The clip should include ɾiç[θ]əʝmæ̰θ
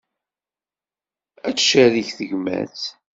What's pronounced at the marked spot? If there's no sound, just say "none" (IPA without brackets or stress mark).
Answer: θ